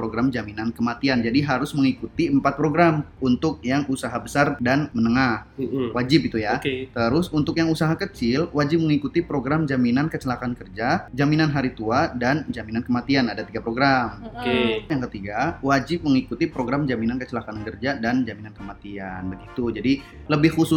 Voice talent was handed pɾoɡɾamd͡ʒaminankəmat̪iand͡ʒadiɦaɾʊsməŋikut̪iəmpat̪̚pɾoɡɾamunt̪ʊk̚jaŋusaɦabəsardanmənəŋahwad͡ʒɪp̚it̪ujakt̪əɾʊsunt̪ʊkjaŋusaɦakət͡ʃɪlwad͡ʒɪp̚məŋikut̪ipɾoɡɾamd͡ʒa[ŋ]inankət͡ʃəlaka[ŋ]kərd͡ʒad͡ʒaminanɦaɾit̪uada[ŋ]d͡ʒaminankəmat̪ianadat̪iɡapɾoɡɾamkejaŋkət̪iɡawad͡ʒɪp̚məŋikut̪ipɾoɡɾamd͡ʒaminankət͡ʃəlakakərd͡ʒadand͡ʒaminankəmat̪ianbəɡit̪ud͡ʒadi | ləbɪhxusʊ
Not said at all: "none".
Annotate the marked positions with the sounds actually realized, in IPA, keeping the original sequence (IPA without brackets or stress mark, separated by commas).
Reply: m, n, n